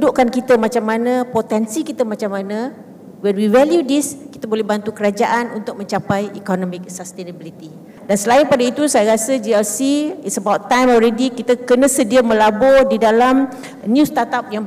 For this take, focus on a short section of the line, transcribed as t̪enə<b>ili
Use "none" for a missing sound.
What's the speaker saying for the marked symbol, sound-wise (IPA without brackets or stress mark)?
b